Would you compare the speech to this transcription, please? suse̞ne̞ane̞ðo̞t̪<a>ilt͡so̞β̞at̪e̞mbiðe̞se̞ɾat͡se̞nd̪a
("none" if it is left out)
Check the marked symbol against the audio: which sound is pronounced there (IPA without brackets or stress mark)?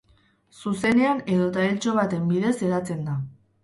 a